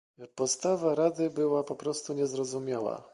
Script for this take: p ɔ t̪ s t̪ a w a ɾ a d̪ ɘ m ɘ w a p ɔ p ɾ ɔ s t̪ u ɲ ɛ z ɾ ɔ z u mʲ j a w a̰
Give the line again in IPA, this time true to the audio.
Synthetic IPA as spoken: p ɔ t̪ s t̪ a v a ɾ a d̪ ɘ b ɘ w a p ɔ p ɾ ɔ s t̪ u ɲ ɛ z ɾ ɔ z u mʲ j a w a̰